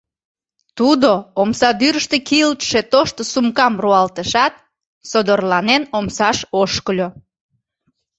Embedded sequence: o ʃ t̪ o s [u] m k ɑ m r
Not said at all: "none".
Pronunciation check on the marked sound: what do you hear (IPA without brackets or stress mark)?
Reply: u